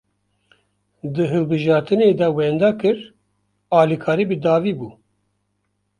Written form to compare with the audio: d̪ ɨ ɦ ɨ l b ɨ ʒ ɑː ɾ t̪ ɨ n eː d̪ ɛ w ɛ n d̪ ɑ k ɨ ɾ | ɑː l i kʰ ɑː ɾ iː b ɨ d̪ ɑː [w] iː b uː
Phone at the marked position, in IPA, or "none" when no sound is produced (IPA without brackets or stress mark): v